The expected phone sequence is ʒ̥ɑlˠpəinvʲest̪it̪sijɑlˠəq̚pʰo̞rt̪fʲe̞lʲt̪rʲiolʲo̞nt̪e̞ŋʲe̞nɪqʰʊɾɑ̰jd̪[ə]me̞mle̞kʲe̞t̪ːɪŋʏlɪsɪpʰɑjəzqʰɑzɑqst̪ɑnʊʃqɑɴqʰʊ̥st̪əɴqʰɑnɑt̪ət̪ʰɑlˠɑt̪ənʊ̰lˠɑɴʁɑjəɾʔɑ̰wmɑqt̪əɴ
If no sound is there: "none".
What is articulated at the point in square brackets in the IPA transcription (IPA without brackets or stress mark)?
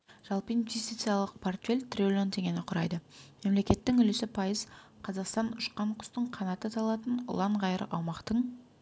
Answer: ə